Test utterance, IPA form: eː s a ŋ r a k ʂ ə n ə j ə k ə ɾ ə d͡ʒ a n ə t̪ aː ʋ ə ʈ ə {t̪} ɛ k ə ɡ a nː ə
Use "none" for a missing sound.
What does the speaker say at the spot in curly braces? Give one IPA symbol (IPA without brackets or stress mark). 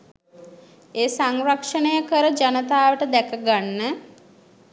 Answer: d̪